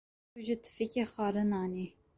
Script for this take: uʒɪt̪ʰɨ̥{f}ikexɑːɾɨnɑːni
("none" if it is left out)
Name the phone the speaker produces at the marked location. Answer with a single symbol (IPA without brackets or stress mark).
f